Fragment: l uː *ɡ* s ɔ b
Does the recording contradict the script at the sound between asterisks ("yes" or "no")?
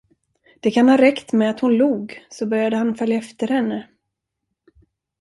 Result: no